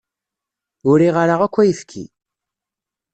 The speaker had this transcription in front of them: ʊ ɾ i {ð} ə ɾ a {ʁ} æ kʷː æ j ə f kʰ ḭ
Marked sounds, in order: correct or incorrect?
incorrect: ʁ, correct

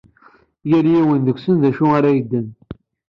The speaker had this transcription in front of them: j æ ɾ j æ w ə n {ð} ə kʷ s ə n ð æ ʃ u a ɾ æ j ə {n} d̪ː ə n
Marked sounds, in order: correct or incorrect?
correct, incorrect: none

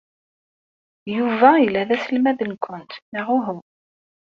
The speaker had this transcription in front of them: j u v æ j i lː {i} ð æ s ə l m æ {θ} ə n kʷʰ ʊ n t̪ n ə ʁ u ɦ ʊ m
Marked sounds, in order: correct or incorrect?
incorrect: æ, incorrect: ð

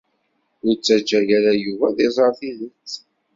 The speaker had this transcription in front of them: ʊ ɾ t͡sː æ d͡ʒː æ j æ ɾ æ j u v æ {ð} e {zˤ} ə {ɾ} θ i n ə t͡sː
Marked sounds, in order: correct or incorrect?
correct, correct, correct

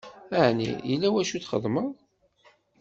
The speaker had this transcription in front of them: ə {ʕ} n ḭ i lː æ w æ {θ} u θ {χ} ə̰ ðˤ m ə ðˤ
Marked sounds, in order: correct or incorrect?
correct, incorrect: ʃ, correct

